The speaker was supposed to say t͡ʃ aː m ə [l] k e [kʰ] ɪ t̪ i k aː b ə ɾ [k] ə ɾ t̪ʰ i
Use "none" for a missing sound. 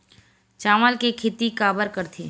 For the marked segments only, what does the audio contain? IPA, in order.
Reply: l, kʰ, k

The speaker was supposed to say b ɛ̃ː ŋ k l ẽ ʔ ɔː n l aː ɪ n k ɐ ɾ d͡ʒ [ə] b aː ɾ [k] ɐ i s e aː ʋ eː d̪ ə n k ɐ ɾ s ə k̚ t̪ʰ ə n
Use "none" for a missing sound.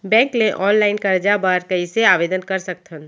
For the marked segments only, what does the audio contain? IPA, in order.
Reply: a, k

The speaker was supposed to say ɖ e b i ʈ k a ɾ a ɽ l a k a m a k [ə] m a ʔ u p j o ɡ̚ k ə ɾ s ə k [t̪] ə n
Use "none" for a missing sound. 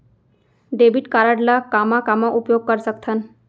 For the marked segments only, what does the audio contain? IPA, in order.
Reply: a, t̪ʰ

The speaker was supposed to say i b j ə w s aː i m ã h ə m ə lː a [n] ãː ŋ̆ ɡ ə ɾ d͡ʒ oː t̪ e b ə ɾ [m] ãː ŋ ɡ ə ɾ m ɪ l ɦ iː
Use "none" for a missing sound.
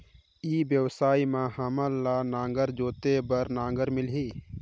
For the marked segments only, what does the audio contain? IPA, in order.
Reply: n, n

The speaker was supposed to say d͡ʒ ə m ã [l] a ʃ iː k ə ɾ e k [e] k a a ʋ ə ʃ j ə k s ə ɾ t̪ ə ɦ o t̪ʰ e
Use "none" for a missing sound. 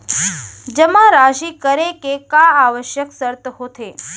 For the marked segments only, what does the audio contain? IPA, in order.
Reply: ɾ, e

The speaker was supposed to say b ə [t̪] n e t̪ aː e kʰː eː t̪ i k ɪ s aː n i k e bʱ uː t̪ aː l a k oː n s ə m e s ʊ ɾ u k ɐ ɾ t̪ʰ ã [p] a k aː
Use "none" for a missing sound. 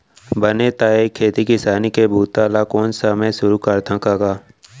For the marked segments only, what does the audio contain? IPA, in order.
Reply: none, k

